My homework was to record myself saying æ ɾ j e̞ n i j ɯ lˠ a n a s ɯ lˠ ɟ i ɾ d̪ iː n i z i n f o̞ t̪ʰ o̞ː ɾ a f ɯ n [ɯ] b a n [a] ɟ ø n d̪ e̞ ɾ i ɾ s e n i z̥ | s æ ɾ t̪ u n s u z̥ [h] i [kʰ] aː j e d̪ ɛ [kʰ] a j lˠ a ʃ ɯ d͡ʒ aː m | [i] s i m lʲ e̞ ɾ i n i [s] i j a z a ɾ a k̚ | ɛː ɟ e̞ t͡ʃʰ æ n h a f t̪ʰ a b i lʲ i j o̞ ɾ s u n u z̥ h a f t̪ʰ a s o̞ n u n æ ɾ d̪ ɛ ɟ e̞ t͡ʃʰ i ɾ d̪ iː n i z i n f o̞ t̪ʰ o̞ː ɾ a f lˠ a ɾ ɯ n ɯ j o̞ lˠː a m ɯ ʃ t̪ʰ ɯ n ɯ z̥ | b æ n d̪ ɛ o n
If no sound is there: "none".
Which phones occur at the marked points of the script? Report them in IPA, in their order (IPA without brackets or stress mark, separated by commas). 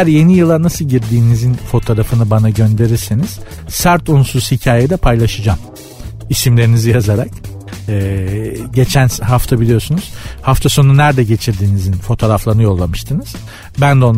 ɯ, a, h, cʰ, pʰ, i, z